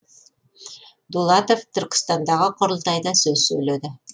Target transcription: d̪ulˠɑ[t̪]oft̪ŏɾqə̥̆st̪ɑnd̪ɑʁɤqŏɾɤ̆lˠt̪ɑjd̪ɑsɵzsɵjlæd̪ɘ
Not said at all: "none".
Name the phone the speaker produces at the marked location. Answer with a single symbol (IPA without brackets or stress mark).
t̪